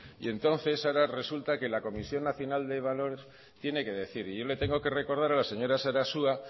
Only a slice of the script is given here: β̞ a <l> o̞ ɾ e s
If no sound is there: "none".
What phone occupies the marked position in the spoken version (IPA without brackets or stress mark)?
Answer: l